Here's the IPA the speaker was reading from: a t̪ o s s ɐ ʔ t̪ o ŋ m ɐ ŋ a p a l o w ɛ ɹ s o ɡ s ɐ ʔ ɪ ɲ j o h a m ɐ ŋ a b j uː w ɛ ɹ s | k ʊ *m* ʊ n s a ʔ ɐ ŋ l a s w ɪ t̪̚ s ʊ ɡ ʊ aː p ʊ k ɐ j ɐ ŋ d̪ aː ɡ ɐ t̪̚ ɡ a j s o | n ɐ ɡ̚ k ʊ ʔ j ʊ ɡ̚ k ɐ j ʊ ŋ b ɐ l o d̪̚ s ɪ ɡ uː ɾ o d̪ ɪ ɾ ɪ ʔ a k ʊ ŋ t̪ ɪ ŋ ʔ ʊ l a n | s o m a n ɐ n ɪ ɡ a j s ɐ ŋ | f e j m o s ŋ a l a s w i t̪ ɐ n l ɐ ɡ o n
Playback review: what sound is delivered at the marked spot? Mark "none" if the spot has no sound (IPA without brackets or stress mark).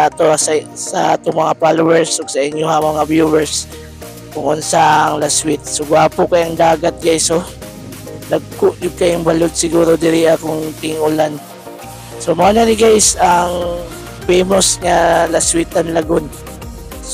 ŋ